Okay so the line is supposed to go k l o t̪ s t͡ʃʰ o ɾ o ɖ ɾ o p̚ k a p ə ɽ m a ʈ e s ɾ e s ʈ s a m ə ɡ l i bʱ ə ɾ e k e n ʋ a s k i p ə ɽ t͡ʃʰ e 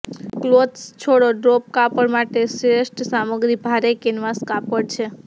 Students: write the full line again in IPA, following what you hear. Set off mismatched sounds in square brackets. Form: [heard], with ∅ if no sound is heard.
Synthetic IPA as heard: k l o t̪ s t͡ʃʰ o [ɽ] o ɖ ɾ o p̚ k a p ə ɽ m a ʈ e s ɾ e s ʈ s a m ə ɡ [ɾ] i bʱ [a] ɾ e k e n ʋ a s k [a] p ə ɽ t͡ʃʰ e